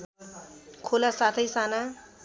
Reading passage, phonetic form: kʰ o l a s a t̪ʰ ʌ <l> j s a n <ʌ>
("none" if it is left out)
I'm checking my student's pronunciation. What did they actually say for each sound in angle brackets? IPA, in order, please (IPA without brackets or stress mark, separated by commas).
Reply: none, a